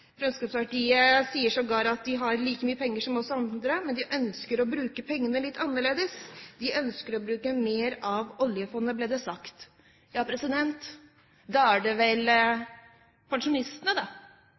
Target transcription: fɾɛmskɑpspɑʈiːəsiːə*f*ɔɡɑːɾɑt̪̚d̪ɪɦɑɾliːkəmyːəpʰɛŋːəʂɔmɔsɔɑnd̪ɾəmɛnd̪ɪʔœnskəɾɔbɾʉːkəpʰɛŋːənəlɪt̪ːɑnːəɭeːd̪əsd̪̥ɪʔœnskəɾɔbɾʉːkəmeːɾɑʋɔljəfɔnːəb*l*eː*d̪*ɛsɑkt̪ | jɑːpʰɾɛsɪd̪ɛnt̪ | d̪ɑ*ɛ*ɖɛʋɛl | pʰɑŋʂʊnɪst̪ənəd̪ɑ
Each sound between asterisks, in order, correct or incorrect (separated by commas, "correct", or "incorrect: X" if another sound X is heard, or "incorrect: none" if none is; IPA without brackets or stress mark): incorrect: ʂ, correct, correct, incorrect: æ